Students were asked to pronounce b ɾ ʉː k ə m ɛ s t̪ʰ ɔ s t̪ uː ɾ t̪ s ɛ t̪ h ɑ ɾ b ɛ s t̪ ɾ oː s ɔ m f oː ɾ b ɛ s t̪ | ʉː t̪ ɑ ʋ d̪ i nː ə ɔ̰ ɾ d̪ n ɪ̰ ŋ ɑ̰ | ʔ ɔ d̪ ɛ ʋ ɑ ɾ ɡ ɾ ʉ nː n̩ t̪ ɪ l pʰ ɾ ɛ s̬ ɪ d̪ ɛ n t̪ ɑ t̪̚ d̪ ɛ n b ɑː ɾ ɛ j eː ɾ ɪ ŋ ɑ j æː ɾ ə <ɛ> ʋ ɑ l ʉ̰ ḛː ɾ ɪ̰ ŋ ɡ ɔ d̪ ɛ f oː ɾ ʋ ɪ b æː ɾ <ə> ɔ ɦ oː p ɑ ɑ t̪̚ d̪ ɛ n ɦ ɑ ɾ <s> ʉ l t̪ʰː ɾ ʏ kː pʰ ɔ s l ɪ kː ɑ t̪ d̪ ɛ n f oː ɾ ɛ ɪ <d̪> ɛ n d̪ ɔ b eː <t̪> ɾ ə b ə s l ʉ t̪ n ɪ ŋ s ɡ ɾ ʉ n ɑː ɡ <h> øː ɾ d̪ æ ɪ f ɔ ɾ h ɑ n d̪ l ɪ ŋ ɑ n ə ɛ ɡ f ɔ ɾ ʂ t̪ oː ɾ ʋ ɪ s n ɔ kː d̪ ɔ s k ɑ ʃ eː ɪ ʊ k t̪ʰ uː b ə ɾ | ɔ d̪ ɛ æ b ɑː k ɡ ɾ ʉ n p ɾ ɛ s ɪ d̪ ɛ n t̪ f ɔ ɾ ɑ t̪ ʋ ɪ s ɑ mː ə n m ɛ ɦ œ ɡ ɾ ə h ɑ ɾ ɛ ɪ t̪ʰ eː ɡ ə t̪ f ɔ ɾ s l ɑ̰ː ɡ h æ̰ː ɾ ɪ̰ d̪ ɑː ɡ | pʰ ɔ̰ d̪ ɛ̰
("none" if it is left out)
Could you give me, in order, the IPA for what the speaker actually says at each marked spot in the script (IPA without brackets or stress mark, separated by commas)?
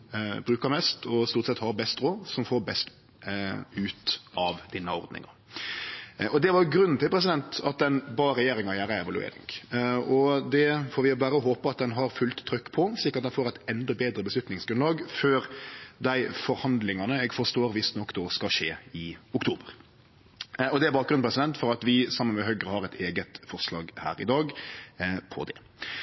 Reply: ɛ, ə, f, t̪, d̪, f